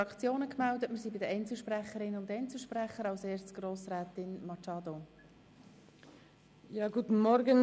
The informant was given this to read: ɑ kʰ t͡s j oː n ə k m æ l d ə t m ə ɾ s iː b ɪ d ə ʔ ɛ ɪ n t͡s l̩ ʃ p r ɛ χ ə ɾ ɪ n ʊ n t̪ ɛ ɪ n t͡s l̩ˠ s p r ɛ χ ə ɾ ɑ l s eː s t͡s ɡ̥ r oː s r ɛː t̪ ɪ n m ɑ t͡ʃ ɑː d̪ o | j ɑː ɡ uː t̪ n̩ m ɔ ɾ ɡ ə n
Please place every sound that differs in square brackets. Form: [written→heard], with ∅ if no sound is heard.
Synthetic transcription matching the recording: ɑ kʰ t͡s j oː n ə k m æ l d ə t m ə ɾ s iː b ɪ d ə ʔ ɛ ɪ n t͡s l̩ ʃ p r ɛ χ ə ɾ ɪ n ʊ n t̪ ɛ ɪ n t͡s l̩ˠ [s→ʃ] p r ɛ χ ə ɾ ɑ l s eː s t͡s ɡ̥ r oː s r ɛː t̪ ɪ n m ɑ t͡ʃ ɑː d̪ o | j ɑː ɡ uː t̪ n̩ m ɔ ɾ ɡ ə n